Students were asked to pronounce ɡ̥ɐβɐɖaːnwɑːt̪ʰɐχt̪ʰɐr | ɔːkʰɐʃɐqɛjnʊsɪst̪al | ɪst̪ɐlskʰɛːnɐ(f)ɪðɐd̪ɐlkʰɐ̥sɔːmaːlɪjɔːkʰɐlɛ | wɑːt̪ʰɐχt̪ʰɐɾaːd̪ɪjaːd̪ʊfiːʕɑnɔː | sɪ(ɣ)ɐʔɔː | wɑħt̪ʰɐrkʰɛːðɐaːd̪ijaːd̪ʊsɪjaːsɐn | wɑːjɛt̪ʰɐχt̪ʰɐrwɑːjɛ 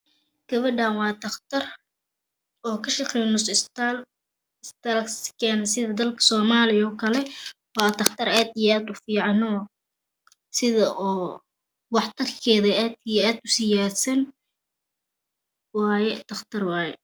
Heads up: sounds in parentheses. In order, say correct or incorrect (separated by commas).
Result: incorrect, incorrect